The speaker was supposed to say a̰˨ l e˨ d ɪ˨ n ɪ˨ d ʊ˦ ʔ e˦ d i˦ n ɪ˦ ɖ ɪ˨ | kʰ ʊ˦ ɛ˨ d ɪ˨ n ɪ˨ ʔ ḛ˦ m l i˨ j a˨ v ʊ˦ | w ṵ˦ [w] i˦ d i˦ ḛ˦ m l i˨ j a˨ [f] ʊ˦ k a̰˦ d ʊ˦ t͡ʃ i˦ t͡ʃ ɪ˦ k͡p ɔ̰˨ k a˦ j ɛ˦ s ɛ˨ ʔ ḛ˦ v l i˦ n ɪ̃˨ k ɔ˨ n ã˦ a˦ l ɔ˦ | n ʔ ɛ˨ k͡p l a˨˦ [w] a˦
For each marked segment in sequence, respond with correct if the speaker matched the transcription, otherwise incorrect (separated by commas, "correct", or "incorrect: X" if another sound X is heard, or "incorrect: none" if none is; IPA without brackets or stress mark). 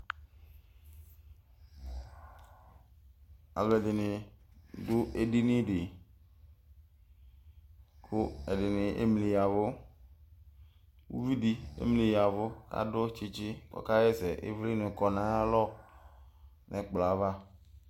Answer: incorrect: v, incorrect: v, incorrect: v